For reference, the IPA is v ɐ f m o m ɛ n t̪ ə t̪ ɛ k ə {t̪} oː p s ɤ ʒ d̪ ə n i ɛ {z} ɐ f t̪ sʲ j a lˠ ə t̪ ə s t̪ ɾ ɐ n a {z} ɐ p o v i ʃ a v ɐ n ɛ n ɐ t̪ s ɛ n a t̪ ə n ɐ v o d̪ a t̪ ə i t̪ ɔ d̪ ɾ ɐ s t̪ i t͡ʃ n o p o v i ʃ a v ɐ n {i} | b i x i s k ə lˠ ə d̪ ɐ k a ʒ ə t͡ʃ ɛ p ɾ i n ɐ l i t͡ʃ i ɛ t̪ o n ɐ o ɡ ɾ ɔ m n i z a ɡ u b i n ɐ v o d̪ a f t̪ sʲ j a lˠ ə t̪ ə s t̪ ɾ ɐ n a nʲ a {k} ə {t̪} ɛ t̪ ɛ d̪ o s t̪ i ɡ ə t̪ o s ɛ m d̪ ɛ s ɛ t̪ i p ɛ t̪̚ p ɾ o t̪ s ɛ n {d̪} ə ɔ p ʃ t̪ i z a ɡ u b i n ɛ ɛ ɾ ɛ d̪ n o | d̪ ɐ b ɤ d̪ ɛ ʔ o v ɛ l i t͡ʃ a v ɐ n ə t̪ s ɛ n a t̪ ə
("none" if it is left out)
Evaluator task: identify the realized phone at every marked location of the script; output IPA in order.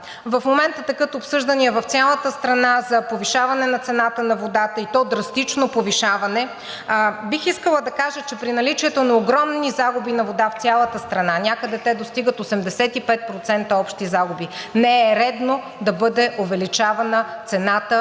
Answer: t̪, v, z, ɛ, k, d̪, t̪

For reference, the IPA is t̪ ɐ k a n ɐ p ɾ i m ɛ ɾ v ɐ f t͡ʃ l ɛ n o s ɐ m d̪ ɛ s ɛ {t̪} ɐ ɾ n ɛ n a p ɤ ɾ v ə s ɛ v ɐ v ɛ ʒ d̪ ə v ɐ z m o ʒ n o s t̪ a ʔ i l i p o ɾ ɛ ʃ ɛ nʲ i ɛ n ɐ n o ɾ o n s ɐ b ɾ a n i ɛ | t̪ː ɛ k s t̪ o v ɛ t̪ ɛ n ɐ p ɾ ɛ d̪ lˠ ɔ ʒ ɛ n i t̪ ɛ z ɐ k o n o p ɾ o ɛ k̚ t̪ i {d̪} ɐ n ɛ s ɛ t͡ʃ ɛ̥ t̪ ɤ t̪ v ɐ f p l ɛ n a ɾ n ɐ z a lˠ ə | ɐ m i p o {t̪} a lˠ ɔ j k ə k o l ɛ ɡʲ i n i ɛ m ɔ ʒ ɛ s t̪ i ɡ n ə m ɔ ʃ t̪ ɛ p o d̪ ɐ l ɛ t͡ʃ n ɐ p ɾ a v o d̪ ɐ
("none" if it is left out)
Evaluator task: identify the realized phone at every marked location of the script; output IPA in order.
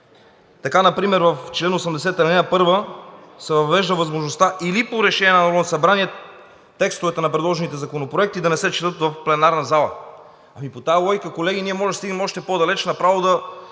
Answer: t̪, d̪, t̪

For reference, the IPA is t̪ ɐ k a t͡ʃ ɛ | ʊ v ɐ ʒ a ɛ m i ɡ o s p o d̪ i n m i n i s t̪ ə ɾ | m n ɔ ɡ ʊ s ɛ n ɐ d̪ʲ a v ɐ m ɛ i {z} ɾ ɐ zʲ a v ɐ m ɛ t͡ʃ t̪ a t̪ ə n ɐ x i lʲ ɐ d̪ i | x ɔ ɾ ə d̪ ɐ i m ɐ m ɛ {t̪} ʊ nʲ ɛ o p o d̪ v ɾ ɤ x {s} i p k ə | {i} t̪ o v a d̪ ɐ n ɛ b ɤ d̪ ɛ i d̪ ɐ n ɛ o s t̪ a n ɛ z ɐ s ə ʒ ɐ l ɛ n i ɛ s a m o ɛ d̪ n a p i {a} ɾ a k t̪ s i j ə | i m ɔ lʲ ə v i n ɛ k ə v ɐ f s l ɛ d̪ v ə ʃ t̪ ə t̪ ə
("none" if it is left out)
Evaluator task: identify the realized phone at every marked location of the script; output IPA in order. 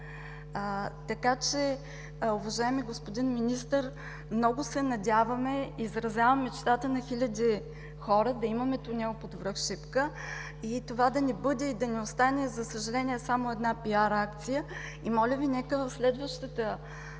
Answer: z, t̪, ʃ, i, a

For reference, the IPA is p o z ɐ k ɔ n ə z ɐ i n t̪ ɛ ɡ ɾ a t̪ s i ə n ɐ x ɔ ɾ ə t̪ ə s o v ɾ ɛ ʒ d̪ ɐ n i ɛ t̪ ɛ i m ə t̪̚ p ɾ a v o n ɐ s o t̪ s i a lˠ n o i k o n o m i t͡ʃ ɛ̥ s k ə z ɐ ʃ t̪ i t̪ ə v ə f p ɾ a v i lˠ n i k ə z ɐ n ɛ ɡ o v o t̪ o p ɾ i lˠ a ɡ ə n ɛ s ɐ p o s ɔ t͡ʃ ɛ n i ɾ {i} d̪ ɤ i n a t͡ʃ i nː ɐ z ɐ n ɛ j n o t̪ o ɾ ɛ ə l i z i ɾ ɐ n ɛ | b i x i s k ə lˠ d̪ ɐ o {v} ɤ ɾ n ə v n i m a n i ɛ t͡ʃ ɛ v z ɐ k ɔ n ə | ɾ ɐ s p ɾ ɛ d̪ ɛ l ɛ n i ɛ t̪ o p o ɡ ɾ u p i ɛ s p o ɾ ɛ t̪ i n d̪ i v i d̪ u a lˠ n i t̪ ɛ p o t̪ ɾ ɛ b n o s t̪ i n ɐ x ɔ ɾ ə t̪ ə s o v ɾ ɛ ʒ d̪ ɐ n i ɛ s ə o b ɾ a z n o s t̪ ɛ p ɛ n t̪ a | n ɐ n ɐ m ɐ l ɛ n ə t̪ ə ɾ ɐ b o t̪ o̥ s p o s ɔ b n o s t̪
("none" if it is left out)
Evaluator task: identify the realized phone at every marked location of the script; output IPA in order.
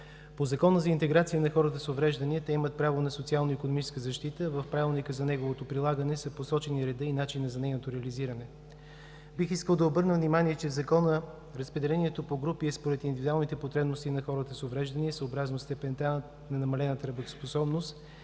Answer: ɛ, b

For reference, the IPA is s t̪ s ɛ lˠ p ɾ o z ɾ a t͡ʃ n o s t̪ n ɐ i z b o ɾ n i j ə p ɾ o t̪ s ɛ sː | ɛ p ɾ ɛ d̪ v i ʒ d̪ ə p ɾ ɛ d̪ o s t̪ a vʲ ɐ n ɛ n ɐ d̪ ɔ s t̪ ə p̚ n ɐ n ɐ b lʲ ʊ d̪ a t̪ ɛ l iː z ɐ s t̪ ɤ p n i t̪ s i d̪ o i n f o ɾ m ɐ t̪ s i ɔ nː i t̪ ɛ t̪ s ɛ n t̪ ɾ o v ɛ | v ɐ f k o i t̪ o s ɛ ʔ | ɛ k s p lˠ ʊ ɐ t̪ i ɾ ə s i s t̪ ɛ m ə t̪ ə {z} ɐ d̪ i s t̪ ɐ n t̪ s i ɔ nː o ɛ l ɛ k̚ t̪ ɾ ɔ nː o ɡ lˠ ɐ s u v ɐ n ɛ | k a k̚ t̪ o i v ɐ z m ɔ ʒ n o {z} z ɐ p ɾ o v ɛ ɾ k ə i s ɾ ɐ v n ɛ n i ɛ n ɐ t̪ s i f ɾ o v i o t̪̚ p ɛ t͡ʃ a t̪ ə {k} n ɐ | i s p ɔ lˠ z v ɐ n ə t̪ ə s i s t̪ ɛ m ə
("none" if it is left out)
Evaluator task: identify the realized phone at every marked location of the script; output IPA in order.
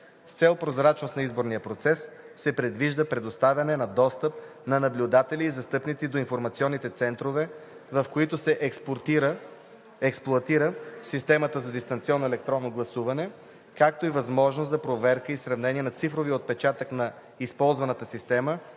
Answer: z, s, k

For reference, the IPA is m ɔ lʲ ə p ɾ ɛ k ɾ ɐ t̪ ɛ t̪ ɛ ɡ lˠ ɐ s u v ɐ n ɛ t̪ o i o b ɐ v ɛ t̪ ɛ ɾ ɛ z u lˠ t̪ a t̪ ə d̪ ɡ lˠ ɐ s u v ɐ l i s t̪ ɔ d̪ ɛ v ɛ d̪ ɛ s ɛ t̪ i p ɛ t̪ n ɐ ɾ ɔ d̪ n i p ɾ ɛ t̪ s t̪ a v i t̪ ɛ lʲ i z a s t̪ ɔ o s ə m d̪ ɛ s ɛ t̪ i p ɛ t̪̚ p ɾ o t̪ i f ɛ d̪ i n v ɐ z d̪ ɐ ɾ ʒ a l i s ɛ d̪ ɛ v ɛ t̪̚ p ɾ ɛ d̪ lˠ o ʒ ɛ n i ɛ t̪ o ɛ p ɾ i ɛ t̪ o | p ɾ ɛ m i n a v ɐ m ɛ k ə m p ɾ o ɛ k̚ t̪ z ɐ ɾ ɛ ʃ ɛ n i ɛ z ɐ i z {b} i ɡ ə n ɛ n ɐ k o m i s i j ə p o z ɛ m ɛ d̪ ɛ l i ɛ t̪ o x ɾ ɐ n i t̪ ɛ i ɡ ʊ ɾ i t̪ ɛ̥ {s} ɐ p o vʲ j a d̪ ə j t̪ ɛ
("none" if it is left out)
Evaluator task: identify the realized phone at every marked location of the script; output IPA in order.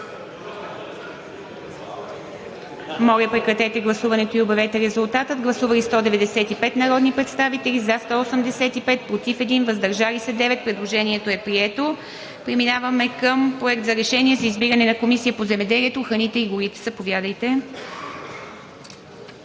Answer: b, z

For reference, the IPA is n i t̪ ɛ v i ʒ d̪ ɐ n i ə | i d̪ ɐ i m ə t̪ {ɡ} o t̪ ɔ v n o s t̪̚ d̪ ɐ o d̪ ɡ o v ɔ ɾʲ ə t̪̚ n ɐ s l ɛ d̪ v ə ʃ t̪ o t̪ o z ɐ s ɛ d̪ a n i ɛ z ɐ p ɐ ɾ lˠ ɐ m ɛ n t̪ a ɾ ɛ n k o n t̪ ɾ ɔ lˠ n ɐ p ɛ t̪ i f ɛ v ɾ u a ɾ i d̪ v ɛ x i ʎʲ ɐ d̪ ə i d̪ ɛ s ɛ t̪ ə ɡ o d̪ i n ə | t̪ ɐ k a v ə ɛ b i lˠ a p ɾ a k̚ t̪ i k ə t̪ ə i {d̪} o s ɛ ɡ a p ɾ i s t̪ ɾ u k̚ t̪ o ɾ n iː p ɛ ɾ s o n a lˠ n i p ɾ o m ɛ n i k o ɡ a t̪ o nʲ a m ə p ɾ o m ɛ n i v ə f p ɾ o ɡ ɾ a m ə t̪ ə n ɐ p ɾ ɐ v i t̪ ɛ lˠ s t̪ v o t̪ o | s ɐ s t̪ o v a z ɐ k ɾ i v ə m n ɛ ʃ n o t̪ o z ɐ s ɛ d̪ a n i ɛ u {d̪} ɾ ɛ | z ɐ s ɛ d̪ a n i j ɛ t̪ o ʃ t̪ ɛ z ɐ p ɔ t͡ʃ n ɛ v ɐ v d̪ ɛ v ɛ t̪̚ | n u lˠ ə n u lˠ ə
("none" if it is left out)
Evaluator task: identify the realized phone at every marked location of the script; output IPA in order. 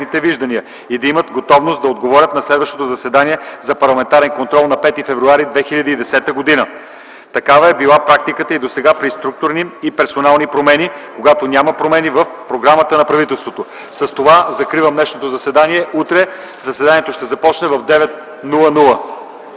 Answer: ɡ, d̪, t̪

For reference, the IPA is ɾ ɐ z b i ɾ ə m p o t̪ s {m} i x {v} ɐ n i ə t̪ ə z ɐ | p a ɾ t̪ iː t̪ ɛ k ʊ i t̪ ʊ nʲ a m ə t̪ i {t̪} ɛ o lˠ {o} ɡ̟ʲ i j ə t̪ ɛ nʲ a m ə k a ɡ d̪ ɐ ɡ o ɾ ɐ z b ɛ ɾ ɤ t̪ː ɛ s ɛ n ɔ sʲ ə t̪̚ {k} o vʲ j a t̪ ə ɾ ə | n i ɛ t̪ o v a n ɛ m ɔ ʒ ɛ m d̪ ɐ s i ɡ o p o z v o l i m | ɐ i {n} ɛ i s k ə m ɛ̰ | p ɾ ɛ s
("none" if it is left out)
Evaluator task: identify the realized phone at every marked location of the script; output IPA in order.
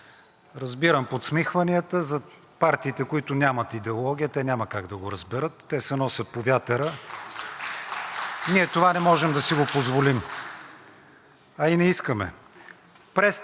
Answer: m, v, d̪, ɔ, p, n

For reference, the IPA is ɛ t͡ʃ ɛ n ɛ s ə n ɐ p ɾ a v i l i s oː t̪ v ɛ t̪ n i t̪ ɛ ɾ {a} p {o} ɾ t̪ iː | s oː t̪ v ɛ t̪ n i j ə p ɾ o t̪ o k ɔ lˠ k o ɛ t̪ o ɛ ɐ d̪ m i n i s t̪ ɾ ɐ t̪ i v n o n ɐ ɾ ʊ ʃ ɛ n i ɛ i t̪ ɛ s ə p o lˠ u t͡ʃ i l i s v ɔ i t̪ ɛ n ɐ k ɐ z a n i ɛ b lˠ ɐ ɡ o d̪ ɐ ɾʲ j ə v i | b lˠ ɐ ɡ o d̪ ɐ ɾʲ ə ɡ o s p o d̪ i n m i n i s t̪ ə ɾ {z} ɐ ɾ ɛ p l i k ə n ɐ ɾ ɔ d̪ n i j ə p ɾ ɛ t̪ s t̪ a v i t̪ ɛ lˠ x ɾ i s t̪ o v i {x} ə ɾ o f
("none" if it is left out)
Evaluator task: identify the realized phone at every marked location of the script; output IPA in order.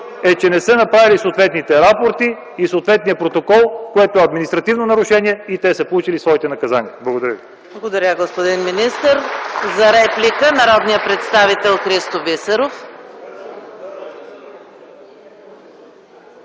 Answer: a, o, z, s

